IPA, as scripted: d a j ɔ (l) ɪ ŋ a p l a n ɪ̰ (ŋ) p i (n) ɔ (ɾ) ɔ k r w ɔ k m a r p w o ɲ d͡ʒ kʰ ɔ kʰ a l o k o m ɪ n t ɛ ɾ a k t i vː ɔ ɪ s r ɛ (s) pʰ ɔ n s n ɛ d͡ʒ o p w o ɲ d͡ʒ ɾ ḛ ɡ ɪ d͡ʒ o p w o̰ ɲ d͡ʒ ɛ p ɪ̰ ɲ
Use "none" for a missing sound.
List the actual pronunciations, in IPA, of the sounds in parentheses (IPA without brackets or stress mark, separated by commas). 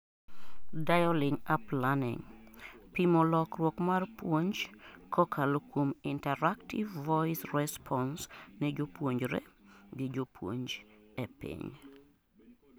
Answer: l, ŋ, m, l, s